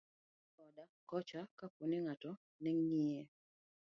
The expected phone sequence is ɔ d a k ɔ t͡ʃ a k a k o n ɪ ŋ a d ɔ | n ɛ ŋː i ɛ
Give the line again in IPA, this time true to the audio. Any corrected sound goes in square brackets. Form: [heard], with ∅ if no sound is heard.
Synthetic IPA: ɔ d a k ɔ t͡ʃ a k a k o n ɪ ŋ a [t] ɔ | n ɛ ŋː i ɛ